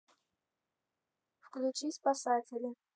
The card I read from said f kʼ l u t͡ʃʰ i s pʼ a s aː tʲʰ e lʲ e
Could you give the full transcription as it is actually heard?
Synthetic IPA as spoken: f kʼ l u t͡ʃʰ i s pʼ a s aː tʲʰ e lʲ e